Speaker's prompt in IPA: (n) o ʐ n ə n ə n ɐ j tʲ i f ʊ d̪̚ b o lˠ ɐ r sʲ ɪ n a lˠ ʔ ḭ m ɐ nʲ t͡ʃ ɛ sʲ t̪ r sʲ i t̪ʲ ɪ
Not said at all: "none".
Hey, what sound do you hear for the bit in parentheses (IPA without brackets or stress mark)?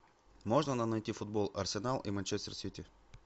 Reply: m